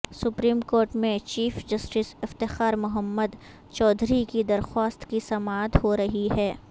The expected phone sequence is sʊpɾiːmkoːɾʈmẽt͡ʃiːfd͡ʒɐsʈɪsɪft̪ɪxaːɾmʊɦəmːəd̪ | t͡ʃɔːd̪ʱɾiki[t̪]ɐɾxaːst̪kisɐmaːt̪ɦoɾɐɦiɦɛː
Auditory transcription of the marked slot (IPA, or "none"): d̪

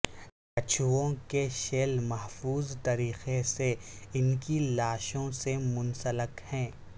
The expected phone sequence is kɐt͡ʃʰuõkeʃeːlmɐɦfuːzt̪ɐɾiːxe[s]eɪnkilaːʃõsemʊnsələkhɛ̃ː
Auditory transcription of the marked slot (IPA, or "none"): s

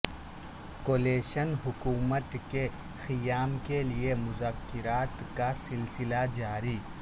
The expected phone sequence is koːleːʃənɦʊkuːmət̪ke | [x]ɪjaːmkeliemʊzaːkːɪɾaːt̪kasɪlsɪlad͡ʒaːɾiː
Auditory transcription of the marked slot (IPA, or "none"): x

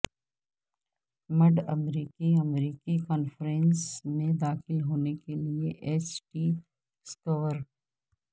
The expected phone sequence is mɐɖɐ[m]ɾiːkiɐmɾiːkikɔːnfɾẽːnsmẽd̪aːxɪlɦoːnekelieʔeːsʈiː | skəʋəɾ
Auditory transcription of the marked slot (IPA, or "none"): m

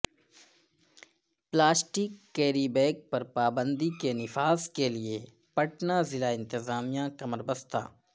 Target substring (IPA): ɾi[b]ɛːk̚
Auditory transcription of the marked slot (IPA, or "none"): b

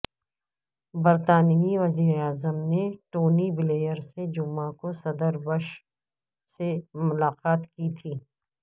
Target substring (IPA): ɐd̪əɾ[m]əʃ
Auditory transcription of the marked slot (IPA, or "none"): b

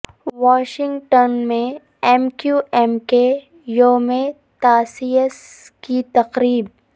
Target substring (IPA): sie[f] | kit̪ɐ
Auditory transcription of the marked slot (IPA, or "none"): s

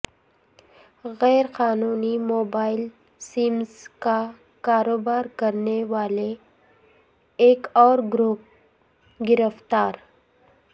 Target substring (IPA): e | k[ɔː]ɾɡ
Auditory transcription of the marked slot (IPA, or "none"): ɔː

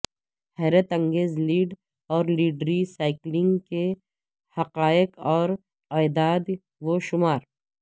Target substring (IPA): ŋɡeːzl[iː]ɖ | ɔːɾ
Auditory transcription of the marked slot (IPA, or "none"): iː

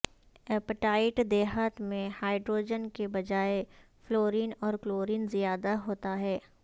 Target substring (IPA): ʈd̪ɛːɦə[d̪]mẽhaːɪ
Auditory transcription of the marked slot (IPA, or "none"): t̪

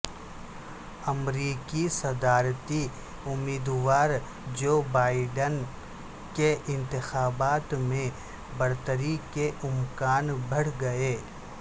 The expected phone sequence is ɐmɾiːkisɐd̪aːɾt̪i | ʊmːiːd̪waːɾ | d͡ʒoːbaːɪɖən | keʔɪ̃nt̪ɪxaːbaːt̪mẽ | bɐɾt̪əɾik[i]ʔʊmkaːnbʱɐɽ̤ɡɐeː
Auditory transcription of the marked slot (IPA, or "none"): e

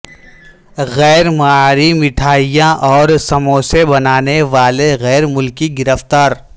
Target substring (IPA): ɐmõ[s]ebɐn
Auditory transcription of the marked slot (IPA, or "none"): s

